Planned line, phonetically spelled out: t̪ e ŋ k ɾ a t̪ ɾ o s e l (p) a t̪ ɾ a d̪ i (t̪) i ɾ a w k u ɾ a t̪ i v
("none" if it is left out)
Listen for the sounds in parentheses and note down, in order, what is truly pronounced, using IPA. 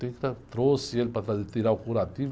p, t̪

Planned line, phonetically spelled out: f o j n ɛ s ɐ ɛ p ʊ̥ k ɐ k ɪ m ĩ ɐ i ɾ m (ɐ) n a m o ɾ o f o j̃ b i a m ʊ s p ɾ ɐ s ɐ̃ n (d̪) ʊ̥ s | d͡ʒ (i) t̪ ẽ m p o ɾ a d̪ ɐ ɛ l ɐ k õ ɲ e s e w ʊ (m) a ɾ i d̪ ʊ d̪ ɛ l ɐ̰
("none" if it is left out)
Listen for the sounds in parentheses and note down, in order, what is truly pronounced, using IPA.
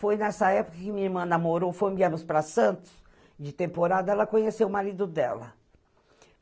ɐ̃, t̪, ɪ, m

